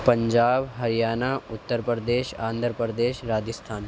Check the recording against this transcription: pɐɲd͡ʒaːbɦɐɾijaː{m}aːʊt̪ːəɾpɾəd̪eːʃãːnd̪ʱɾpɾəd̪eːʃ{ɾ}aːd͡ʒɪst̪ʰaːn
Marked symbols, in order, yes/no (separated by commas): no, yes